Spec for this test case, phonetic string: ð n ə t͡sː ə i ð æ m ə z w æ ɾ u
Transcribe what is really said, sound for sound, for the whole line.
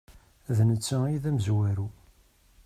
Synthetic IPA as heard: ð n ə t͡sː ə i ð æ m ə z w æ ɾ u